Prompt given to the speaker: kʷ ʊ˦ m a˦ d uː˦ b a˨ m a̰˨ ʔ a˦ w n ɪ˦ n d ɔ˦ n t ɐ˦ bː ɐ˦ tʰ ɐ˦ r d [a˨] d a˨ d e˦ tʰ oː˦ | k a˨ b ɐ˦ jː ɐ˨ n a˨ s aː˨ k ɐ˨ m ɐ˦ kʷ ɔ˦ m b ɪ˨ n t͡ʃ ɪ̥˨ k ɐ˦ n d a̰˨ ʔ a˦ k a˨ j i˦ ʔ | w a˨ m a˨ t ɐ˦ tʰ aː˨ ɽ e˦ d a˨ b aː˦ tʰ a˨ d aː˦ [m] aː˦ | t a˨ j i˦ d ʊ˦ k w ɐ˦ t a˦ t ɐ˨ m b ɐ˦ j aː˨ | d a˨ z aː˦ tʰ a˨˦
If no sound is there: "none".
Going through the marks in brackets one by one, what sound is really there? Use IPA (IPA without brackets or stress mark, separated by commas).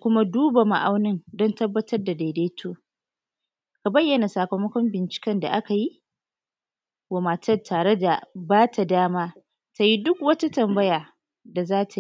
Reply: a˨, m